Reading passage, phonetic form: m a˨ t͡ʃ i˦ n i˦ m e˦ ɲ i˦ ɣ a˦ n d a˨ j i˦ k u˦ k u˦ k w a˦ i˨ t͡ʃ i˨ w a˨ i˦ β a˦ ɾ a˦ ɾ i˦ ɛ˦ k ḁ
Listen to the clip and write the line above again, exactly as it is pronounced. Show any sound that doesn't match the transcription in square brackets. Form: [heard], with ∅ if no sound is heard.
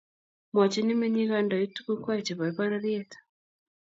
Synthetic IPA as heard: m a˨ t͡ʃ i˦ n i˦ m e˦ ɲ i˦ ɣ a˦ n d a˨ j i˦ [t] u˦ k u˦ k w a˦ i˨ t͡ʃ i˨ [β] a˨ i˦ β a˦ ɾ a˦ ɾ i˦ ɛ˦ [t] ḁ